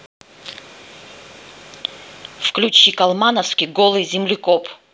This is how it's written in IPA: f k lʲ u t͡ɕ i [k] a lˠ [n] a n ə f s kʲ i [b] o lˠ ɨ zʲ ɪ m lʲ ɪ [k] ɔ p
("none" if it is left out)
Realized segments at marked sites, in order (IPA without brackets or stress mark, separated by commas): k, m, ɡ, k